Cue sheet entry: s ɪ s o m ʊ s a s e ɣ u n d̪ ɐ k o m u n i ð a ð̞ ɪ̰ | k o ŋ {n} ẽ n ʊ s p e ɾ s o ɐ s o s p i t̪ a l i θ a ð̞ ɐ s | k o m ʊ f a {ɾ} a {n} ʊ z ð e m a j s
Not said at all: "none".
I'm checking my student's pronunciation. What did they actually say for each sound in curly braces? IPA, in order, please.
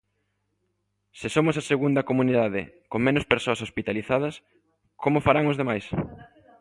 m, ɾ, ŋ

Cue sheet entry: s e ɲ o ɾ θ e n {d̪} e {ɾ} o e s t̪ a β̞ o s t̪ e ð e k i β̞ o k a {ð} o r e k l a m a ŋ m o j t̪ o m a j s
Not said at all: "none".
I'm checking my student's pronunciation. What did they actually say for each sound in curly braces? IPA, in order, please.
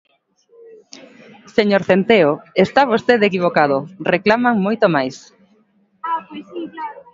t̪, none, ð

